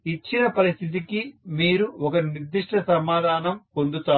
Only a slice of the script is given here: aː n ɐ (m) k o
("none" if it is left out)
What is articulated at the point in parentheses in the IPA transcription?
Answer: m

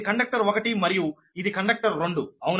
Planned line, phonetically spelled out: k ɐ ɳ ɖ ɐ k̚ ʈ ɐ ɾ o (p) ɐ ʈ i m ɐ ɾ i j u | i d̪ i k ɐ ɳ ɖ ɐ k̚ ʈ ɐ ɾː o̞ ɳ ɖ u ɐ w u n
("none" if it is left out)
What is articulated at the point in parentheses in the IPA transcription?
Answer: k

